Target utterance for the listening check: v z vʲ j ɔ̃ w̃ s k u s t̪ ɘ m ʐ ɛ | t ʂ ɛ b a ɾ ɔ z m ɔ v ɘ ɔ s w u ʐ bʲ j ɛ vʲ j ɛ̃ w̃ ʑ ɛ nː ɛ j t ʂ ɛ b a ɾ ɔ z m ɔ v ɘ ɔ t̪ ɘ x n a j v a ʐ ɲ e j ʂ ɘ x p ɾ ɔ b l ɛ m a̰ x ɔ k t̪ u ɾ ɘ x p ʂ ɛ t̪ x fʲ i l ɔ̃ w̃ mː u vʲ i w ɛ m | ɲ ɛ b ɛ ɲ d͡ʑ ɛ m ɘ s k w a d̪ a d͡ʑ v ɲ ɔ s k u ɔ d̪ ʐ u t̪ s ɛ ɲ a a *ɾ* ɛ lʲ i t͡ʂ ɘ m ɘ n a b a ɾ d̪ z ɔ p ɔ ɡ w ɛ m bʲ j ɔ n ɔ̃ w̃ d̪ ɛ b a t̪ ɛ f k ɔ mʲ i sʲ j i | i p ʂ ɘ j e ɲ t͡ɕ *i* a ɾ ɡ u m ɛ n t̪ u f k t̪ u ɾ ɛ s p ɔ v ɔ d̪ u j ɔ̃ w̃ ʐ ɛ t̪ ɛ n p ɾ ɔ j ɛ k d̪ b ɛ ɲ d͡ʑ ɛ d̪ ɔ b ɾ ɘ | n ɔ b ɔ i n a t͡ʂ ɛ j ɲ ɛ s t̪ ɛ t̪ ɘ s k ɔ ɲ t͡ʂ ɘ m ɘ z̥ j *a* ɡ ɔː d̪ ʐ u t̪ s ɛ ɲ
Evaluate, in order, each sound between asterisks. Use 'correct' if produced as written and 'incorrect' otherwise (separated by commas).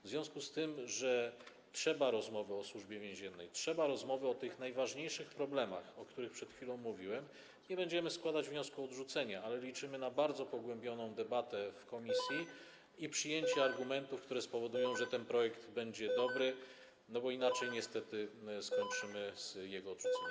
incorrect, incorrect, incorrect